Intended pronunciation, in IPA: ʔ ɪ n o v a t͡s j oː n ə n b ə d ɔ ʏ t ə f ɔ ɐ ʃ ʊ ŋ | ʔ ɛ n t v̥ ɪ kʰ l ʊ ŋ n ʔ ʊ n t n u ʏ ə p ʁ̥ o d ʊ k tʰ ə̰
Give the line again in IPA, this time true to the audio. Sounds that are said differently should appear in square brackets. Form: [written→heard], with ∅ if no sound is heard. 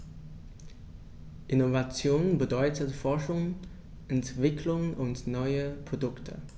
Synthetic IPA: ʔ ɪ n o v a t͡s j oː n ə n b ə d ɔ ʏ t ə f ɔ ɐ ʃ ʊ ŋ | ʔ ɛ n t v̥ ɪ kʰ l ʊ ŋ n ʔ ʊ n t n [u→ɔ] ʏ ə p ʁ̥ o d ʊ k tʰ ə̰